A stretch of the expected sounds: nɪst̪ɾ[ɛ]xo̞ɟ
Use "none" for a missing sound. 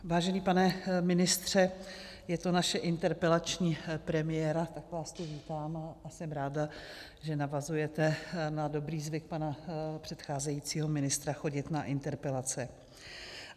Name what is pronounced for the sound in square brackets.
a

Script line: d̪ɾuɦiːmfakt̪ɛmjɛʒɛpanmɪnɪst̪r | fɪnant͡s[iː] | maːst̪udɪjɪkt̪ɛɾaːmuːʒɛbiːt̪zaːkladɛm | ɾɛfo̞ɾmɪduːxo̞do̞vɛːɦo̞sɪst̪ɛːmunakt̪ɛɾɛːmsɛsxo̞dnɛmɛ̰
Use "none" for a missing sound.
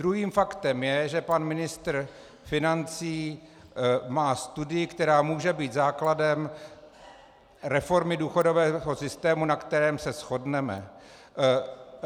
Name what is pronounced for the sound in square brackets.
iː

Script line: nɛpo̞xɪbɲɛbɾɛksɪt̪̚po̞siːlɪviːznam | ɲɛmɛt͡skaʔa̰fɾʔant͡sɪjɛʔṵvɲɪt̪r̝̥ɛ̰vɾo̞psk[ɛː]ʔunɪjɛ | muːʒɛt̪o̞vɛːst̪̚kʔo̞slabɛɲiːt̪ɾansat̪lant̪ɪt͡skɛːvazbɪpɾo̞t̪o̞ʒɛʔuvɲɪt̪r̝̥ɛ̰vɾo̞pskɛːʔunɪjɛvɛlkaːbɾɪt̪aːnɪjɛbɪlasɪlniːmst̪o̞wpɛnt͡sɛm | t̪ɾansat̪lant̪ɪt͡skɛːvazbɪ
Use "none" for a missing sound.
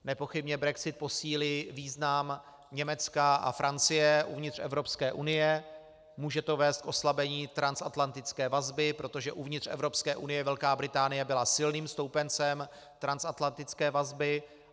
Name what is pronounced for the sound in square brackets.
ɛː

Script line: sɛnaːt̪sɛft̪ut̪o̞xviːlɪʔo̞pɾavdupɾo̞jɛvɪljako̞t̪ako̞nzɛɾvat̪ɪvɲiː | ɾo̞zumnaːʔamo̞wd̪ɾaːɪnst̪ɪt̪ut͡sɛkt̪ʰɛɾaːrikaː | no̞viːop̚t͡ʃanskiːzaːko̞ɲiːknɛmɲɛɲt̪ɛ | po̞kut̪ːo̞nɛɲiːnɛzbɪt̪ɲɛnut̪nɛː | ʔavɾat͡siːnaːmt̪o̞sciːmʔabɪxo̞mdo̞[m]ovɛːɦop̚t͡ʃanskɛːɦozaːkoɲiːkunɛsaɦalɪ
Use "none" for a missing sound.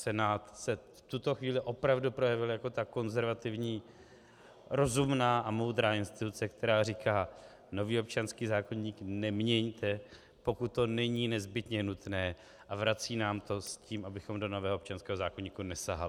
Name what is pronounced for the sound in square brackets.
n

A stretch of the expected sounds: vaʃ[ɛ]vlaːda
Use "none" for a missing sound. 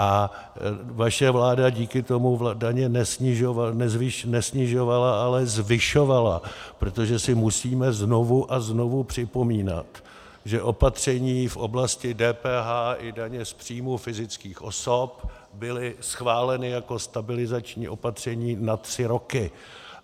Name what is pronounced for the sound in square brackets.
ɛ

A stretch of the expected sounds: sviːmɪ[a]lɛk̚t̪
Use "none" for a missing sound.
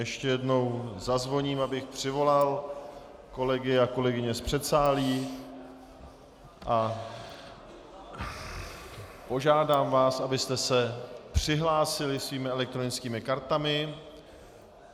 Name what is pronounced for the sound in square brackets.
ɛ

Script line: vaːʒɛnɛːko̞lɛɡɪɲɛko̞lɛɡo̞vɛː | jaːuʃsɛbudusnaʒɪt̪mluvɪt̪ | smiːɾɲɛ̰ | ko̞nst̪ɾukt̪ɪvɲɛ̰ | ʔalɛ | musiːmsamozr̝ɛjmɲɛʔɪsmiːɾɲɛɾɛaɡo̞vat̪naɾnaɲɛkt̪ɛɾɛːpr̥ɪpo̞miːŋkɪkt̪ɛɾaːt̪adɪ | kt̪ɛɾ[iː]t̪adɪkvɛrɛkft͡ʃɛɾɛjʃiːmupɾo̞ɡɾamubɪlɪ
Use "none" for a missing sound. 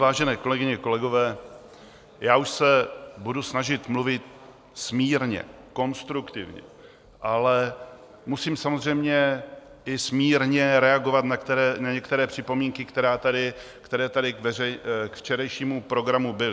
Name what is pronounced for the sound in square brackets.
ɛː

